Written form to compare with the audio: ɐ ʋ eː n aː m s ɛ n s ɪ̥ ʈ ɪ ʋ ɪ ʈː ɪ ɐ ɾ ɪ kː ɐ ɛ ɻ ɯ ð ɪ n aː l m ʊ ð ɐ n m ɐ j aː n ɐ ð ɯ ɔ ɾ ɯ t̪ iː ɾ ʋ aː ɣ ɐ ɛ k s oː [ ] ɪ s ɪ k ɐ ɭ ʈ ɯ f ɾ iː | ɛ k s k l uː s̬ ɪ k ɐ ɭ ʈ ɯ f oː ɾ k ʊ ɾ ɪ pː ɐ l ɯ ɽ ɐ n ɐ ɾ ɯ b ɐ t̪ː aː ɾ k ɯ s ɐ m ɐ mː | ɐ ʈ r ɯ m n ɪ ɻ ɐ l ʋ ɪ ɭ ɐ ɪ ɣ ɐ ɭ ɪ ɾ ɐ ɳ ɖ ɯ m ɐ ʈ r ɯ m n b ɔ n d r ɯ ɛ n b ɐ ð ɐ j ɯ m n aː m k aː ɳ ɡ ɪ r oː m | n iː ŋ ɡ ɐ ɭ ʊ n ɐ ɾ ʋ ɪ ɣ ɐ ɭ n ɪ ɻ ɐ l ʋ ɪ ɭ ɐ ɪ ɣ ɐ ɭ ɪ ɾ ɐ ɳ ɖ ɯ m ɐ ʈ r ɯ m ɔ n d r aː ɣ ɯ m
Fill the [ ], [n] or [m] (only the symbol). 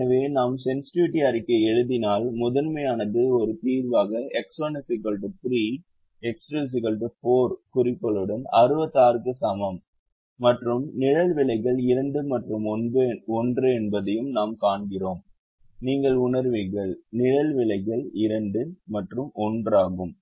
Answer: n